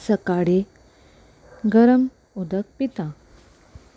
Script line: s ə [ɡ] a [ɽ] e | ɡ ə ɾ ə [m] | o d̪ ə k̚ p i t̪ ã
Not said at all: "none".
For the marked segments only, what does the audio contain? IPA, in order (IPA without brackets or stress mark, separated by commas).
k, ɽ, m